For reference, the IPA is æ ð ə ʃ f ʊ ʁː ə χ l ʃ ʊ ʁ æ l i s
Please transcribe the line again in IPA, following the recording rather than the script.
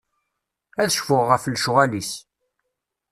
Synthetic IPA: æ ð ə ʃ f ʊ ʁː ə f l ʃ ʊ ʁ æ l i s